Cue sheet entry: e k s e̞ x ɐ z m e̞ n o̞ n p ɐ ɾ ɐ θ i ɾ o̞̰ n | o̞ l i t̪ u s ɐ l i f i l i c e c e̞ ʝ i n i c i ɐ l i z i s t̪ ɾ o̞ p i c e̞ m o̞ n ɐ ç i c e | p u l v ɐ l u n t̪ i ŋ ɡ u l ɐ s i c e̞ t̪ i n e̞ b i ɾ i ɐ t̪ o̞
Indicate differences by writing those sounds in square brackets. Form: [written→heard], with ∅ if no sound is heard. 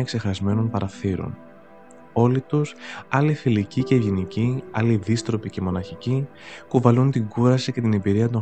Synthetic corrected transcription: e k s e̞ x ɐ z m e̞ n o̞ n p ɐ ɾ ɐ θ i ɾ o̞̰ n | o̞ l i t̪ u s ɐ l i f i l i c [e→i] c e̞ ʝ i n i c i ɐ l i [z→ð] i s t̪ ɾ o̞ p i c e̞ m o̞ n ɐ ç i c [e→i] | p u [l→∅] v ɐ l u n t̪ i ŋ ɡ u [l→ɾ] ɐ s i c e̞ t̪ i n e̞ b i ɾ i ɐ t̪ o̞